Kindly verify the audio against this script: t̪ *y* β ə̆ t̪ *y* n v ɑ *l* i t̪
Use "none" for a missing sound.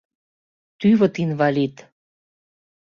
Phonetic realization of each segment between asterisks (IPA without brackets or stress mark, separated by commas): y, i, l